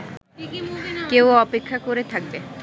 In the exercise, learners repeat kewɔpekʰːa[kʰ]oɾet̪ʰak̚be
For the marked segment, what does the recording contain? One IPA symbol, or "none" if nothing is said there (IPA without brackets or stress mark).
k